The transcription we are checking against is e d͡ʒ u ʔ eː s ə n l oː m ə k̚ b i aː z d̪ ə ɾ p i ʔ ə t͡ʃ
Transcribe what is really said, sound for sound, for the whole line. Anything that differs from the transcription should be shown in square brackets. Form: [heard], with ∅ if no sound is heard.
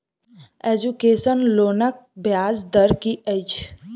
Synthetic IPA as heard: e d͡ʒ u [k] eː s ə n l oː [n] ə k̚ b [j] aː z d̪ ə ɾ [k] i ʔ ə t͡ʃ